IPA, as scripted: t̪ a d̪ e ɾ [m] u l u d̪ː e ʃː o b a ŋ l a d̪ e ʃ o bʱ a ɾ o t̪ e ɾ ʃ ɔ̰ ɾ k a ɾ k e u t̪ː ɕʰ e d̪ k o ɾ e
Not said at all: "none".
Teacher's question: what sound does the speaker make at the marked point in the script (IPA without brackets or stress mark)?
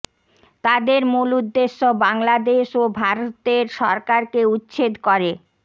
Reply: m